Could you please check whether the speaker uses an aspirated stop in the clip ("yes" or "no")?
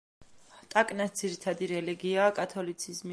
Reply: yes